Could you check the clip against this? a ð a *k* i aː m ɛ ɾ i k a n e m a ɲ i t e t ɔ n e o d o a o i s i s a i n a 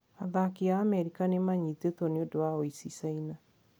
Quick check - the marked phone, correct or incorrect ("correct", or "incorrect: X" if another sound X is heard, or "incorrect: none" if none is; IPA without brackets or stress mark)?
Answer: correct